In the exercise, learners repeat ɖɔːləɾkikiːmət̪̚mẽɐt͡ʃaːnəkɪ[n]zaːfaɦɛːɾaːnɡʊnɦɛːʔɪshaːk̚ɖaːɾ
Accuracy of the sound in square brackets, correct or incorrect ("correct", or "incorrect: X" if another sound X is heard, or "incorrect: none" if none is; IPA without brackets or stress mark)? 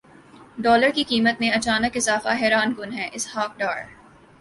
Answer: incorrect: none